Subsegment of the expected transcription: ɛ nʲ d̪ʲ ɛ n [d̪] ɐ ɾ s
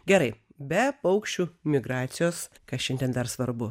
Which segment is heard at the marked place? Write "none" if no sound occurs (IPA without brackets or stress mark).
d̪